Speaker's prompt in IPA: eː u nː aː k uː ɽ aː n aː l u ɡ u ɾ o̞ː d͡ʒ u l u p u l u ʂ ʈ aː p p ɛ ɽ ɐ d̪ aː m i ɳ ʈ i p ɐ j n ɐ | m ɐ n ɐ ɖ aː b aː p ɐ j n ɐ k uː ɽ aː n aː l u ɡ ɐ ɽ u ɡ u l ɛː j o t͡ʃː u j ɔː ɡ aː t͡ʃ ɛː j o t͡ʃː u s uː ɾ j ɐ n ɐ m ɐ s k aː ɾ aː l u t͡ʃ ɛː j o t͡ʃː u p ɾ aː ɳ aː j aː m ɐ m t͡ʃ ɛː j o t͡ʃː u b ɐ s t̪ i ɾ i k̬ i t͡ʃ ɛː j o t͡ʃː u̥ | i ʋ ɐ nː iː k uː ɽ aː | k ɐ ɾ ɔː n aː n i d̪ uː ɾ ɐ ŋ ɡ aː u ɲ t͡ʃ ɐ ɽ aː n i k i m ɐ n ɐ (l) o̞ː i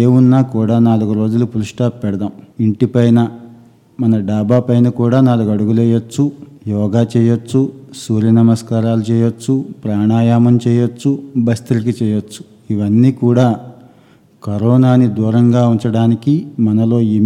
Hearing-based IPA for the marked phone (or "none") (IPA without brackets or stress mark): l